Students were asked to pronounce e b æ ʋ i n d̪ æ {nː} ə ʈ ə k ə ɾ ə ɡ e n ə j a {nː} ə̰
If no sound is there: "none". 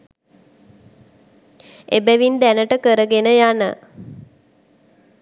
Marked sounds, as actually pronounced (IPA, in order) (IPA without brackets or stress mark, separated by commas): n, n